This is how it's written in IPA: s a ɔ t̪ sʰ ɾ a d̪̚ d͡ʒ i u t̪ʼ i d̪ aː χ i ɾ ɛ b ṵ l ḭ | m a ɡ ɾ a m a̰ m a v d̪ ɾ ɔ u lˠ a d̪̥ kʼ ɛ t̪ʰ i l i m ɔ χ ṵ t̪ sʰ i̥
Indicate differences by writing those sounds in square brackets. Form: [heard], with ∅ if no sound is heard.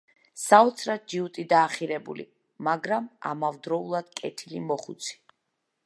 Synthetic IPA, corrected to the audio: s a ɔ t̪ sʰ ɾ a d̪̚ d͡ʒ i u t̪ʼ i d̪ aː χ i ɾ ɛ b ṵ l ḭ | m a ɡ ɾ a m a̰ m a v d̪ ɾ ɔ u lˠ a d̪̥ kʼ ɛ t̪ʰ i l i m ɔ χ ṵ t̪ sʰ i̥